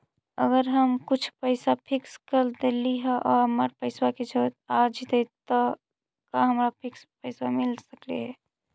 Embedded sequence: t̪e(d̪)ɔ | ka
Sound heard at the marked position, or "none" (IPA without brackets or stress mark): t̪